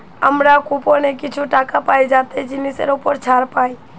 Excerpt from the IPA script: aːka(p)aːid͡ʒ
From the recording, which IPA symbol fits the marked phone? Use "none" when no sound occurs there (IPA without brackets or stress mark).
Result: p